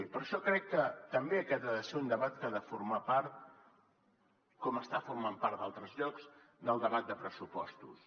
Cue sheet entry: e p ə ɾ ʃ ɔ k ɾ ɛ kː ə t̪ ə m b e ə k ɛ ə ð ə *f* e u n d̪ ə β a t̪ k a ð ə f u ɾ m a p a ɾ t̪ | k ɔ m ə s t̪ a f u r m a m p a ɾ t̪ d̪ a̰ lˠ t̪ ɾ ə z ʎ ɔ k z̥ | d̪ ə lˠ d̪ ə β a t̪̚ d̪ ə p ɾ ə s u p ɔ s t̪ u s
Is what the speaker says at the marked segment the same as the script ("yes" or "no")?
no